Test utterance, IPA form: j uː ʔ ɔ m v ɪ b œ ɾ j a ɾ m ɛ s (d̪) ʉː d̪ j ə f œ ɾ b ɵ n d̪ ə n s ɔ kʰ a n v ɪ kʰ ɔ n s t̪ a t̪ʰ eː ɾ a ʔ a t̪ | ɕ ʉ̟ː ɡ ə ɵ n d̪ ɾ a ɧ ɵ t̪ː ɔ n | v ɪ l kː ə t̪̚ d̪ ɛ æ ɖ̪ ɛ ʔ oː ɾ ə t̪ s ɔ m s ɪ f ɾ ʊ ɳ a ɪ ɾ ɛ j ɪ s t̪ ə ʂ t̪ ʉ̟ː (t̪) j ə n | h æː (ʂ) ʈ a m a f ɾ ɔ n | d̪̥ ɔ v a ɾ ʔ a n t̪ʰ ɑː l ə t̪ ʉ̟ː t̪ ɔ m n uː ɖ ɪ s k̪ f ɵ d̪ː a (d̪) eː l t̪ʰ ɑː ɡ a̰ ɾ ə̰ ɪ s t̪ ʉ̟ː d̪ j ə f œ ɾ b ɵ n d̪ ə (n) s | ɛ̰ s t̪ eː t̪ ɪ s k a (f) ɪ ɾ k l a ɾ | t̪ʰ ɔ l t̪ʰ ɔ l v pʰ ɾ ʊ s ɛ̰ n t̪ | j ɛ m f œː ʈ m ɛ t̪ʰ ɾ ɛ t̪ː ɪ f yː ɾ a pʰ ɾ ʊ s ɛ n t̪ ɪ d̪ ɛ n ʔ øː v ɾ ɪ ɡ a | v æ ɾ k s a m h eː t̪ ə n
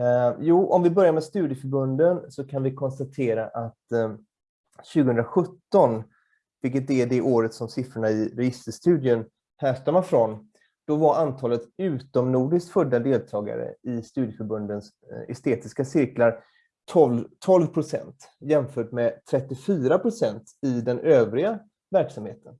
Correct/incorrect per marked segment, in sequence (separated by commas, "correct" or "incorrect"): incorrect, incorrect, correct, correct, correct, incorrect